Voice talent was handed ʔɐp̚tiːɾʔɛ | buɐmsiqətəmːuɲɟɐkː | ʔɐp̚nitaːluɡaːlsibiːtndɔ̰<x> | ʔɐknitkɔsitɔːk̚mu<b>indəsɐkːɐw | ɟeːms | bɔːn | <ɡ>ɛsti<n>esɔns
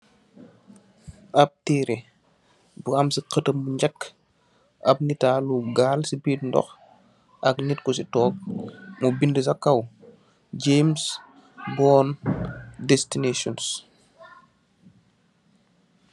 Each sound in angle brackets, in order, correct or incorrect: correct, correct, incorrect: d, correct

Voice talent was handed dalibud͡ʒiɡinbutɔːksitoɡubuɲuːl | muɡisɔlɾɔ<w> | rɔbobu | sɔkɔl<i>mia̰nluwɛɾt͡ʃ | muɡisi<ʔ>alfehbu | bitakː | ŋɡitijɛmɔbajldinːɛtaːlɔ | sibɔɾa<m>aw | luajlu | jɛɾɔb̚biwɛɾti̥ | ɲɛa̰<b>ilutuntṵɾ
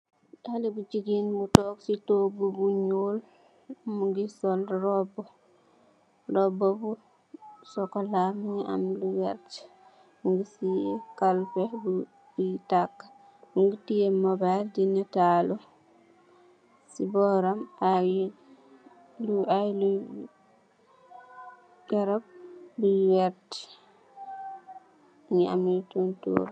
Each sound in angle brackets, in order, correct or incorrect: incorrect: b, incorrect: a, incorrect: k, correct, incorrect: m

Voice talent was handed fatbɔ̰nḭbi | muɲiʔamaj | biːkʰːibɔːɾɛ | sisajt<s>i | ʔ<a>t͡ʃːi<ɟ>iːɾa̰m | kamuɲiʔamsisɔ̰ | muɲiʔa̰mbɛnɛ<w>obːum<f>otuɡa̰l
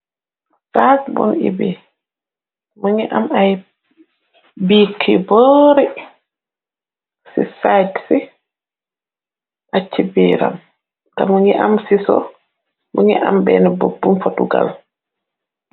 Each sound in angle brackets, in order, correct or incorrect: correct, correct, incorrect: b, incorrect: b, correct

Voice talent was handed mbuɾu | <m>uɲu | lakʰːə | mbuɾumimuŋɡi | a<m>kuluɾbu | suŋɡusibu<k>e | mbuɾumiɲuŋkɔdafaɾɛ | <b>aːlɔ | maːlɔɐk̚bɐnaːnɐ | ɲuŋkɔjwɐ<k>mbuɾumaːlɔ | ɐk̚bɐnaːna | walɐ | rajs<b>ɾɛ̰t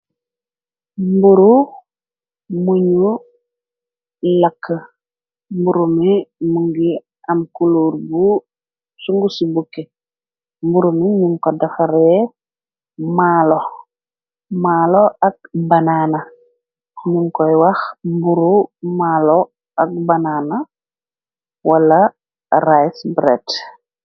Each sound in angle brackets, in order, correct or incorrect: correct, correct, correct, incorrect: m, incorrect: x, correct

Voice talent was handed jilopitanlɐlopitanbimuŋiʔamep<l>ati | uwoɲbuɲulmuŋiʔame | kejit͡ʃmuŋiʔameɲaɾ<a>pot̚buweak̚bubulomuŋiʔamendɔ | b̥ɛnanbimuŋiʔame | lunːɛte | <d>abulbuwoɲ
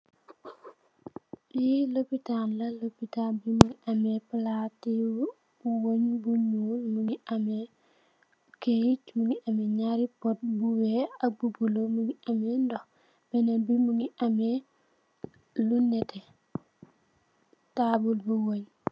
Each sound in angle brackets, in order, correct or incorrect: correct, incorrect: i, incorrect: t

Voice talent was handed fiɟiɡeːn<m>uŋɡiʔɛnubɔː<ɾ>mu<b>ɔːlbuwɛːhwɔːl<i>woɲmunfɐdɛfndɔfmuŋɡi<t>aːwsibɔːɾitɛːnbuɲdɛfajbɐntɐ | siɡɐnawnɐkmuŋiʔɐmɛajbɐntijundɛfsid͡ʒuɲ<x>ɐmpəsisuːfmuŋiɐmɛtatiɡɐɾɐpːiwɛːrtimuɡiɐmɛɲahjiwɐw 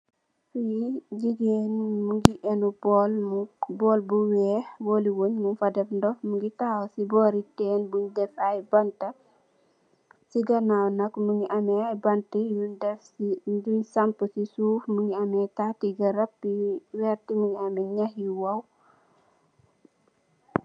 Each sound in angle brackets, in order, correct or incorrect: correct, incorrect: l, correct, correct, correct, incorrect: s

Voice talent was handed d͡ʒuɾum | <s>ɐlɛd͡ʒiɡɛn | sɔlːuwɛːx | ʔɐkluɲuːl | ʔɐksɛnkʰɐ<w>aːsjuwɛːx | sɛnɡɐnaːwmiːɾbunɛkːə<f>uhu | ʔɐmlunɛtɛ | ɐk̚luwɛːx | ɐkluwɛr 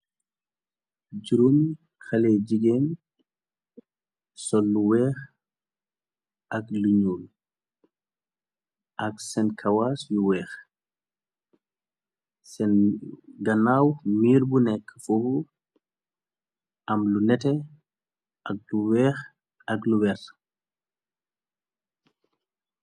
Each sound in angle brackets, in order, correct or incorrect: incorrect: x, correct, correct

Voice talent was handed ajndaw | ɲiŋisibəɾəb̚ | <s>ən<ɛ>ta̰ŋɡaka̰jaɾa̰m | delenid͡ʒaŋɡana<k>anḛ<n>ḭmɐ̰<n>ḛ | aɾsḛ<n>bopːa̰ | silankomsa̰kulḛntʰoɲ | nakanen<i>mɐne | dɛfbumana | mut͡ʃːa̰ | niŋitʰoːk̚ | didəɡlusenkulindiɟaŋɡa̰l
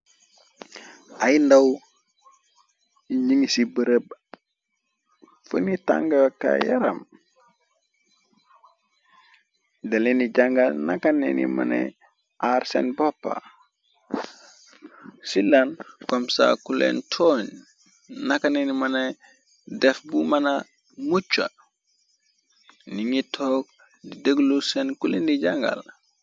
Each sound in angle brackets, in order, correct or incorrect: incorrect: f, incorrect: i, correct, correct, correct, correct, correct

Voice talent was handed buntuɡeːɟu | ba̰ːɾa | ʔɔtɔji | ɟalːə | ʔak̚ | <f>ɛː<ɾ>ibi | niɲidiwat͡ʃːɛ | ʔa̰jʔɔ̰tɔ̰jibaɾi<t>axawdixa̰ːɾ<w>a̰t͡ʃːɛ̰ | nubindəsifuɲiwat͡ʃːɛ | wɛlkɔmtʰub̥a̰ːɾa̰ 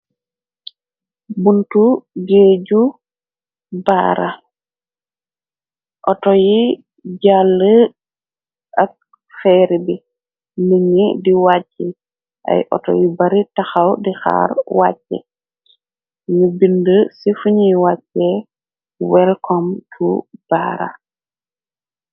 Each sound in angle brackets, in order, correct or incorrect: correct, correct, correct, correct

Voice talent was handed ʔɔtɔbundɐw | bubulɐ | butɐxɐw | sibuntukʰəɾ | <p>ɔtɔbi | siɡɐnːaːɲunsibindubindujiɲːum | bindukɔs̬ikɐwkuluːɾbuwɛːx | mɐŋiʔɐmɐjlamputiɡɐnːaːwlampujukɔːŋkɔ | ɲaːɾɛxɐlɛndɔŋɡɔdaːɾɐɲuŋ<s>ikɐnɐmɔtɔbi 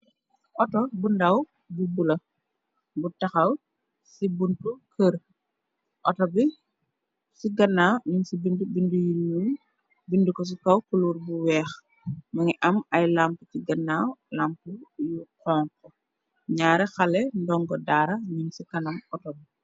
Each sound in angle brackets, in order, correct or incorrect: incorrect: ʔ, correct

